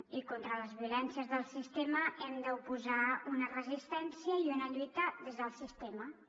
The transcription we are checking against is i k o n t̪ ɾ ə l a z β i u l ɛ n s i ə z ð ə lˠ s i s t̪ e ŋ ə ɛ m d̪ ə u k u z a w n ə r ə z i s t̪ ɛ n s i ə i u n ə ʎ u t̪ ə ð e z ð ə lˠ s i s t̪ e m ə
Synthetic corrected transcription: i k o n t̪ ɾ ə l ə z β i u l ɛ n s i ə z ð ə lˠ s i s t̪ e m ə ɛ m d̪ ə u p u z a u n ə r ə z i s t̪ ɛ n s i ə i u n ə ʎ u t̪ ə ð e z ð ə lˠ s i s t̪ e m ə